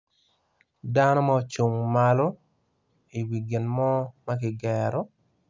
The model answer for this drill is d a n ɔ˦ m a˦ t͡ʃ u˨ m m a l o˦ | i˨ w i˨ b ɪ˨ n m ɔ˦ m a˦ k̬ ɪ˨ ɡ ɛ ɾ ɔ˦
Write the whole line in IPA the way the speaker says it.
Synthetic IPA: d a n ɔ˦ m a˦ t͡ʃ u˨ ŋ m a l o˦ | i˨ w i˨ ɡ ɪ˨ n m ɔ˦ m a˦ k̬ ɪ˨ ɡ ɛ ɾ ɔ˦